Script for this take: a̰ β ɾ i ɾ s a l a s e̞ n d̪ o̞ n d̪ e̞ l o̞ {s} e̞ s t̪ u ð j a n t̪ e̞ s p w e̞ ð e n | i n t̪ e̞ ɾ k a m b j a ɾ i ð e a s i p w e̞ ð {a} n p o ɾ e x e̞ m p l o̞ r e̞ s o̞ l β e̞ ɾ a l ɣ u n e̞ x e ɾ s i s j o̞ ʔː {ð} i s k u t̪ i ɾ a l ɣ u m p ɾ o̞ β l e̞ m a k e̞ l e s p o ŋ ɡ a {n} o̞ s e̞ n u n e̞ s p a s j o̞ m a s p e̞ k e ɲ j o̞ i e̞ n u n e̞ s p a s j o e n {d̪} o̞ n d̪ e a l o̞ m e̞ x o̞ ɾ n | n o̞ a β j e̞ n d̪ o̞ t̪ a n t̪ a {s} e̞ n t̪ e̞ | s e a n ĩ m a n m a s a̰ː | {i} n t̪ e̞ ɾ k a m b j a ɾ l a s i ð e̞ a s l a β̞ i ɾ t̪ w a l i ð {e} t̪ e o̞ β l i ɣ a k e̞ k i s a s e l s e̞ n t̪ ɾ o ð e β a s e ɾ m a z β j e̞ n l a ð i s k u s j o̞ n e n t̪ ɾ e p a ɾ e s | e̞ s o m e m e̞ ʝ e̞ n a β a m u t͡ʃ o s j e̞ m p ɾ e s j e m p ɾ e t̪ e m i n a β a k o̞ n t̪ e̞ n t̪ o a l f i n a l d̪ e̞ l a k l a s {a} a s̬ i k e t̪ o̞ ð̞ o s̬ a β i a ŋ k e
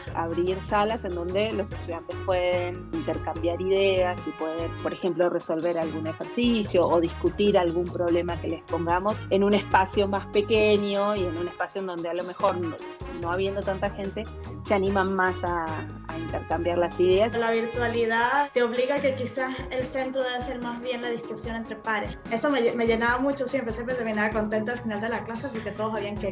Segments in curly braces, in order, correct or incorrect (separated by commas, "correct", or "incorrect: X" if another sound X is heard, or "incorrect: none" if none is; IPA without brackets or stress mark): correct, incorrect: e, correct, incorrect: m, correct, incorrect: x, correct, incorrect: a, incorrect: e